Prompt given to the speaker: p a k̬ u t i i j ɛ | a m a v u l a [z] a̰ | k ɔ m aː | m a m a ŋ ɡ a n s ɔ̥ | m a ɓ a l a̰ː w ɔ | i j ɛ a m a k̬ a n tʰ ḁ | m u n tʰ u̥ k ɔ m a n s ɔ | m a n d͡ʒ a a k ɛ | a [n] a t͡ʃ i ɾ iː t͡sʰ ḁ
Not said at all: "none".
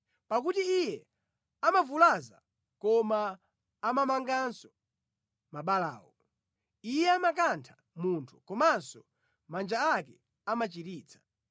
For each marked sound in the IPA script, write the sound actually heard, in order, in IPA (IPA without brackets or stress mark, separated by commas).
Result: z, m